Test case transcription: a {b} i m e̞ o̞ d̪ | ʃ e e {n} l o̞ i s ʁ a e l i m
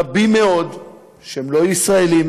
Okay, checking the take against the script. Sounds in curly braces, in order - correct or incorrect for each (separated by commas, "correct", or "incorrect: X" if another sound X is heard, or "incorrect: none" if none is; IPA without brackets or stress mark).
correct, incorrect: m